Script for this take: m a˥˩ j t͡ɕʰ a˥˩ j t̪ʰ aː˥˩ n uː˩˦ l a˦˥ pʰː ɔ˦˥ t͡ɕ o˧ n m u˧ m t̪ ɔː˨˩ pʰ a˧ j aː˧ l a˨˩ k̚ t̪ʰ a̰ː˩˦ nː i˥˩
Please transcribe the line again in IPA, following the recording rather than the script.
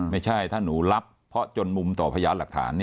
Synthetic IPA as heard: m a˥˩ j t͡ɕʰ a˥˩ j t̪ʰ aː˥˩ n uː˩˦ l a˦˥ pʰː ɔ˦˥ t͡ɕ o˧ n m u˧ m t̪ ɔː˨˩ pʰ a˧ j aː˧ l a˨˩ k̚ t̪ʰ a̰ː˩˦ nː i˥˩